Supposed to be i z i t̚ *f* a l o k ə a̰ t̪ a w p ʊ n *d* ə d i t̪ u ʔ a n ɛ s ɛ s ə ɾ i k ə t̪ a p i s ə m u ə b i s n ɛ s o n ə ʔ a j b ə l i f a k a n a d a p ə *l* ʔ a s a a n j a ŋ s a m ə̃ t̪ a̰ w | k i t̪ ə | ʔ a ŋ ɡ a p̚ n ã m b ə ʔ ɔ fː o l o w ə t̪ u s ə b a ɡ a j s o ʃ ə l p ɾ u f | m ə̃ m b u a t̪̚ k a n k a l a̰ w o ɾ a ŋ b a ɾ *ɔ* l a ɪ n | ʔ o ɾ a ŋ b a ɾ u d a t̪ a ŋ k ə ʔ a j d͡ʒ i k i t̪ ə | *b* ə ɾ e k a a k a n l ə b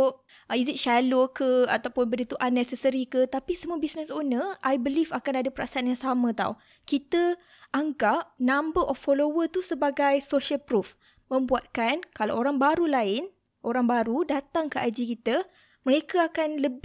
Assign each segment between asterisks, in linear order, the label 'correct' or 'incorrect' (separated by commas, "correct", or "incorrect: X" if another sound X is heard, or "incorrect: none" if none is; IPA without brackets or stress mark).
incorrect: ʃ, incorrect: b, incorrect: ɾ, incorrect: u, incorrect: m